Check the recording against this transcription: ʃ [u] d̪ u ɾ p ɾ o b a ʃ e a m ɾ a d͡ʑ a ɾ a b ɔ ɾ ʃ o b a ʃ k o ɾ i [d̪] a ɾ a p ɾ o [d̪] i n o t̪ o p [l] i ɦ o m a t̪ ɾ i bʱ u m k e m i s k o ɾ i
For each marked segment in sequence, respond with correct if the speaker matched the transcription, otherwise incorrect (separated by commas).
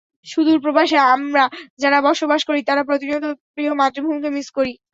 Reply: correct, incorrect, incorrect, incorrect